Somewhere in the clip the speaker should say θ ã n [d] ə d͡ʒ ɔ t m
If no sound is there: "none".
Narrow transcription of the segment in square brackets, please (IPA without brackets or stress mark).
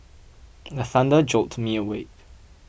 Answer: d